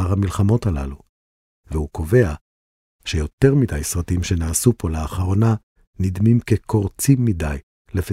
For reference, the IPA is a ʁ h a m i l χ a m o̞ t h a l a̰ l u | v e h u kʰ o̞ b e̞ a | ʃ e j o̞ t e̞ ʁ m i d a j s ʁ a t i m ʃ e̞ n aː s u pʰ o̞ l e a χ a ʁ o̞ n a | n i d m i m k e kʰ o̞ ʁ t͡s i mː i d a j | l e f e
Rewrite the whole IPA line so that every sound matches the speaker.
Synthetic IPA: a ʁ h a m i l χ a m o̞ t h a l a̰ l u | v e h u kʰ o̞ v e̞ a | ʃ e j o̞ t e̞ ʁ m i d a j s ʁ a t i m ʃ e̞ n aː s u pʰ o̞ l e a χ a ʁ o̞ n a | n i d m i m k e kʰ o̞ ʁ t͡s i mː i d a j | l e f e